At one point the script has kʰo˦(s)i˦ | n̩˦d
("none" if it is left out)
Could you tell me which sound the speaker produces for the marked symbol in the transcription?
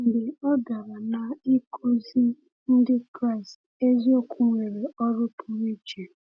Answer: z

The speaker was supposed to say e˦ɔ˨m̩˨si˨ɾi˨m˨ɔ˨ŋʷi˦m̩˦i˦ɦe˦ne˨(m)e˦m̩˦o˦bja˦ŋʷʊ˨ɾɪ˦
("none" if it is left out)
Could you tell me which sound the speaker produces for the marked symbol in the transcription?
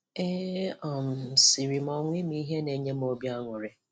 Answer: ɲ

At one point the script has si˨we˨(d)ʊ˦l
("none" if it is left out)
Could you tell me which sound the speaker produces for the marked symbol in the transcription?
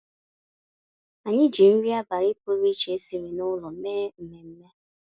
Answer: n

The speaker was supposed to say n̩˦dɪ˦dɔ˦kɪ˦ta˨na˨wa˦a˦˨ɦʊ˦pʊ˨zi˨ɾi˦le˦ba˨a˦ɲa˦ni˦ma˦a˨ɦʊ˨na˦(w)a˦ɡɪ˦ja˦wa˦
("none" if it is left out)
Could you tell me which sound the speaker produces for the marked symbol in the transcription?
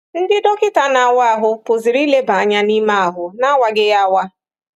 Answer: w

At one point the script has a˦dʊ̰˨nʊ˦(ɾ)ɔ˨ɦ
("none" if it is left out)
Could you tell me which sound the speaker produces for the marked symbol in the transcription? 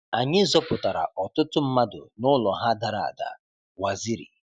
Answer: l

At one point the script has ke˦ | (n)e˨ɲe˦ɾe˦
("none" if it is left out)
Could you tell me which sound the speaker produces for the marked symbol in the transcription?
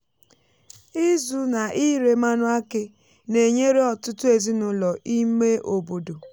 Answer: n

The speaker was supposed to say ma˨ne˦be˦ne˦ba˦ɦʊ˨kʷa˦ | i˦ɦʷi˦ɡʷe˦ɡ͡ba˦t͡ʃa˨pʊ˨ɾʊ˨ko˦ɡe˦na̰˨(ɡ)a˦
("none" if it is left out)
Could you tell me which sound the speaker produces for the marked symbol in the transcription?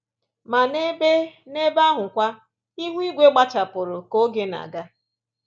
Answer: ɡ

